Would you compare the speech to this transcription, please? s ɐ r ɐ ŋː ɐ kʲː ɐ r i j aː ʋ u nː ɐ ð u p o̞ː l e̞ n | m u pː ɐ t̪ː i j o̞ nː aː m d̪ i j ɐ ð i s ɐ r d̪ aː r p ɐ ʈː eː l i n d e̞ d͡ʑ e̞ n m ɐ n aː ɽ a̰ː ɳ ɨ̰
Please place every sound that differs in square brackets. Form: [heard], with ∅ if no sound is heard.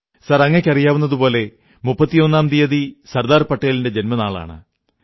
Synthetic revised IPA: s ɐ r ɐ ŋː ɐ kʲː ɐ r i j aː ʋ u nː ɐ ð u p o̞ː l e̞ [∅] | m u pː ɐ t̪ː i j o̞ nː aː m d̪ i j ɐ ð i s ɐ r d̪ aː r p ɐ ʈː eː l i n d e̞ d͡ʑ e̞ n m ɐ n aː [ɭ] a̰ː ɳ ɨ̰